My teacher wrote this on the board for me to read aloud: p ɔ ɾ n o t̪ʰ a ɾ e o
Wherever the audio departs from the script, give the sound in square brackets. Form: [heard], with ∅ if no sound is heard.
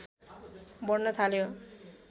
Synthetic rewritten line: [b] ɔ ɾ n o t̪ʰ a [l] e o